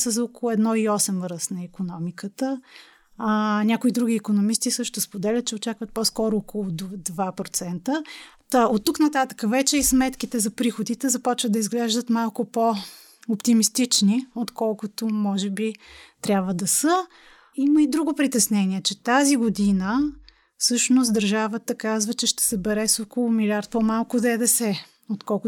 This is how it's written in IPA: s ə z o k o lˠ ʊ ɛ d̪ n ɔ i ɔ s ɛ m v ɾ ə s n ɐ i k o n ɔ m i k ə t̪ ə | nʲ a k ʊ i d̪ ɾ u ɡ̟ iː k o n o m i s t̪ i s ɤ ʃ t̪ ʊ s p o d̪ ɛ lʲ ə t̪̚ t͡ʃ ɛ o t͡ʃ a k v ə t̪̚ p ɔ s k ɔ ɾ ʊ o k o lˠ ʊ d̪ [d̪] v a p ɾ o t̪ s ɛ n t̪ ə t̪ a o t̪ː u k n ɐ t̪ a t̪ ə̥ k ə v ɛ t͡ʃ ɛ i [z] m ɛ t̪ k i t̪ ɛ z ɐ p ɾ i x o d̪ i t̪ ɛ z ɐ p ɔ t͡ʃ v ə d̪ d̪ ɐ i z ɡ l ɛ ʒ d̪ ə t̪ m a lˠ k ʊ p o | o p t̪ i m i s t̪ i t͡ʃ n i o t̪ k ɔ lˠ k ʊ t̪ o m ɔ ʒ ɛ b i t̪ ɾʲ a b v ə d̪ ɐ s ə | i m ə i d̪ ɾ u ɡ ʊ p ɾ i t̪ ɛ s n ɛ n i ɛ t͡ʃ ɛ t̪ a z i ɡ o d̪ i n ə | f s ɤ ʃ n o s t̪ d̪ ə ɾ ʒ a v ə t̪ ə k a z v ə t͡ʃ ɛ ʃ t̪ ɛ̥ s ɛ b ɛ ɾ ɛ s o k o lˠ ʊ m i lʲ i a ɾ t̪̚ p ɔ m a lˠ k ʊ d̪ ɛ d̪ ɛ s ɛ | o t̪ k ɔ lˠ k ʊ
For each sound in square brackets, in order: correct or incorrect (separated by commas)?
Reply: correct, incorrect